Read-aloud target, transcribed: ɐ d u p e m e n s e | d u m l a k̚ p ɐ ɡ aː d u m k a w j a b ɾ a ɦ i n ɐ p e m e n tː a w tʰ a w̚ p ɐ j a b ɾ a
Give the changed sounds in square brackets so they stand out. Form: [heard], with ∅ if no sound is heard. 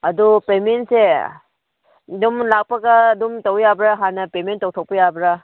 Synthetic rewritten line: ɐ d u p e m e n s e | d u m l a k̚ p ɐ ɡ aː d u m [t] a w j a b ɾ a ɦ [a] n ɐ p e m e n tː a w tʰ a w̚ p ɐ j a b ɾ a